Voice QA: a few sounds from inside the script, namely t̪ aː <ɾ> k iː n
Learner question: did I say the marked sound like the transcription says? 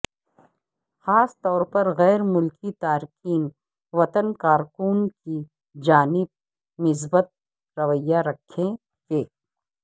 yes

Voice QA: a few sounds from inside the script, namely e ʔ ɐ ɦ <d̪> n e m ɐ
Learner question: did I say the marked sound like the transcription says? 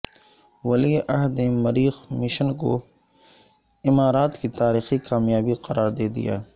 yes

